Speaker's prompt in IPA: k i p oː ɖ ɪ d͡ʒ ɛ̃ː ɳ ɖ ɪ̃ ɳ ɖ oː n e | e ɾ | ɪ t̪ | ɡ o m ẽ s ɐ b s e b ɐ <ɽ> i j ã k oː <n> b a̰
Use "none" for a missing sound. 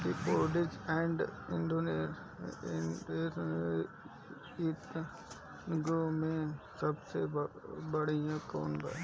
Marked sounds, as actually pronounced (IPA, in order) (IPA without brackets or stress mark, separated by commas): ɽ, n